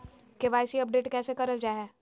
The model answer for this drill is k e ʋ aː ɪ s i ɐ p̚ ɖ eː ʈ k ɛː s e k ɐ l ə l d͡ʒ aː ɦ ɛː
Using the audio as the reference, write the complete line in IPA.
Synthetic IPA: k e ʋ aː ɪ s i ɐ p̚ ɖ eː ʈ k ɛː s e k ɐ ɾ ə l d͡ʒ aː ɦ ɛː